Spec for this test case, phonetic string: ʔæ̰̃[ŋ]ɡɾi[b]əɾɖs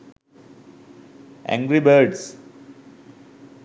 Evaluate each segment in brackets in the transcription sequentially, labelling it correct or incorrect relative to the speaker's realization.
correct, correct

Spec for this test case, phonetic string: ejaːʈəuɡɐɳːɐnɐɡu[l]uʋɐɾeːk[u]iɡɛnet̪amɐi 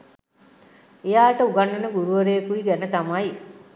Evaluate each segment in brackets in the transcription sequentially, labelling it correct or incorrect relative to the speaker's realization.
incorrect: ɾ, correct

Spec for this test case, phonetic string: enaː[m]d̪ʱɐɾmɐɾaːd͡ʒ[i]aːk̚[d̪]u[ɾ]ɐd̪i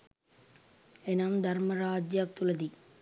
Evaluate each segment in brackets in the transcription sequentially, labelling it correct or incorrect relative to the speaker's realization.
correct, incorrect: j, incorrect: t̪, incorrect: l

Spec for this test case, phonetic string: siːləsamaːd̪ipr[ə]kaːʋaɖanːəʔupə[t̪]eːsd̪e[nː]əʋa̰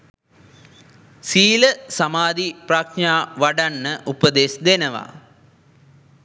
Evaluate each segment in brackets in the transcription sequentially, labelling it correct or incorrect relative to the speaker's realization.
incorrect: a, incorrect: d̪, incorrect: n

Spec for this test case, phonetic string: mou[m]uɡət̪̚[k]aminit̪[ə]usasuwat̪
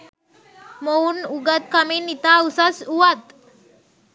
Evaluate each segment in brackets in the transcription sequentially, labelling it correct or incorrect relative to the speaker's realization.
incorrect: n, correct, incorrect: a

